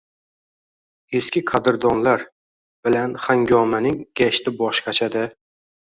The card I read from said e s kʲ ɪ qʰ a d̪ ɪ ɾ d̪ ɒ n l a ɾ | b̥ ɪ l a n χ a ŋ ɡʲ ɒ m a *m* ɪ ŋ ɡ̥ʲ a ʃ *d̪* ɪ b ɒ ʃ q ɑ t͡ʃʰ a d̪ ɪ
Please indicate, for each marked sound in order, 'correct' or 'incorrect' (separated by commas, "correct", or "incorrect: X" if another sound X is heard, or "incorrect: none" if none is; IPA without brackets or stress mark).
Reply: incorrect: n, incorrect: t̪